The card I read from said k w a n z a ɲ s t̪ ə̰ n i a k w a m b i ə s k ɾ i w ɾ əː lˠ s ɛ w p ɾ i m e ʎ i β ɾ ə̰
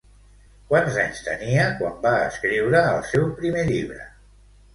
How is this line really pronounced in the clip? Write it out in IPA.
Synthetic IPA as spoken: k w a n z a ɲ s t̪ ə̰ n i ə k w a m b a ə s k ɾ i w ɾ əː lˠ s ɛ w p ɾ i m e ʎ i β ɾ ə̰

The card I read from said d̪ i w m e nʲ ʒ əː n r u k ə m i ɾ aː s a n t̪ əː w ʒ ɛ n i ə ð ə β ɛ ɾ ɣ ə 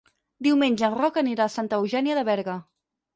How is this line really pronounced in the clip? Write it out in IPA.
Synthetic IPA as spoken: d̪ i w m e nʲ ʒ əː n r ɔ k ə n i ɾ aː s a n t̪ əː w ʒ ɛ n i ə ð ə β ɛ ɾ ɣ ə

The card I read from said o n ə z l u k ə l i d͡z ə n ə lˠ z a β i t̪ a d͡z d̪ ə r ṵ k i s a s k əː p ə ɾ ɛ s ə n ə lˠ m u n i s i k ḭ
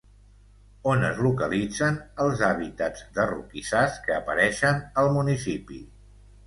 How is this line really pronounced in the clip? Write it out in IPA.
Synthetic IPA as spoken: o n ə z l u k ə l i d͡z ə n ə lˠ z a β i t̪ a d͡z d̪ ə r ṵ k i s a s k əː p ə ɾ ɛ ʃ ə n ə lˠ m u n i s i p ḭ

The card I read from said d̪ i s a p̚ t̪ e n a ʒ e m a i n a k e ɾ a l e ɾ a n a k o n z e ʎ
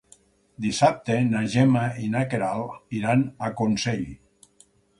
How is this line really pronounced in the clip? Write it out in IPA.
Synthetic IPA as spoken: d̪ i s a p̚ t̪ e n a ʒ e m a i n a k e ɾ a l i ɾ a n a k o n s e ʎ

